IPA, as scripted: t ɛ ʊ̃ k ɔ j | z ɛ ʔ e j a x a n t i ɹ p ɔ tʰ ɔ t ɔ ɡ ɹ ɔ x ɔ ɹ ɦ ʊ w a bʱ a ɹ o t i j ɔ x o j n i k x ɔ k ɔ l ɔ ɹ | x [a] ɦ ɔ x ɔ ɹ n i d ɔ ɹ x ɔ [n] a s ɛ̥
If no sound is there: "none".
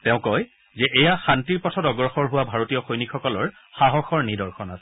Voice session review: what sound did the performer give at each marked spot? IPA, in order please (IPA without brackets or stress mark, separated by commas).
a, n